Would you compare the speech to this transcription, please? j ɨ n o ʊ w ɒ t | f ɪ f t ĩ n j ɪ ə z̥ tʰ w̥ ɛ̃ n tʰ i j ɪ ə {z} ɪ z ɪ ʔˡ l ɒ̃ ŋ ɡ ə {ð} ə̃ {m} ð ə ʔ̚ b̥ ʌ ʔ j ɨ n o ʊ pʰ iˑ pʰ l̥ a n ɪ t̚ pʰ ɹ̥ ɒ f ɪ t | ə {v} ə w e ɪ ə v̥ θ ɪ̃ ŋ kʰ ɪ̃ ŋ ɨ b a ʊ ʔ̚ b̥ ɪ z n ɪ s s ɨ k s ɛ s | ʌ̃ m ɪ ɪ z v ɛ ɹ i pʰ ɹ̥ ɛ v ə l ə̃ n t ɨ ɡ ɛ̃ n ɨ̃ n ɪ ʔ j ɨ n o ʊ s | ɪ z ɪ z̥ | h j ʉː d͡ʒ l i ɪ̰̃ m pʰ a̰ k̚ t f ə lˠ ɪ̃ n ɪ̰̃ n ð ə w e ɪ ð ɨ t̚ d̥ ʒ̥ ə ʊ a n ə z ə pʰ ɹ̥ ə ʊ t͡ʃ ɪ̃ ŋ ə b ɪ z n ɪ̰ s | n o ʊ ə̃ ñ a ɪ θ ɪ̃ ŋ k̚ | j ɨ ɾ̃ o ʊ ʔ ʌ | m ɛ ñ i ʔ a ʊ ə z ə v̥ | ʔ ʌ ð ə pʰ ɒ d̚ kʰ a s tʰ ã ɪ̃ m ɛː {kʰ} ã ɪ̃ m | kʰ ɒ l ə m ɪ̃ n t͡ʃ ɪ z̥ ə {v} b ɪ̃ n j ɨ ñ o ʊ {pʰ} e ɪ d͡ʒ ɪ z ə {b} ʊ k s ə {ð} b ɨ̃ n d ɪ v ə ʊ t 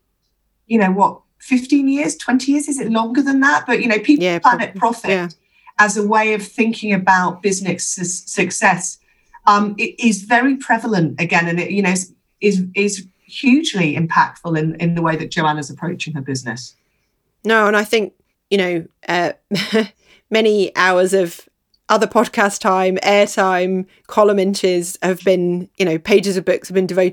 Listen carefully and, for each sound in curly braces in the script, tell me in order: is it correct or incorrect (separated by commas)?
correct, correct, incorrect, incorrect, incorrect, correct, correct, correct, incorrect